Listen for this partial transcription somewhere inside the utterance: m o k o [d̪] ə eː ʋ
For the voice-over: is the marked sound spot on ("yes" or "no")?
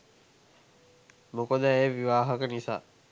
yes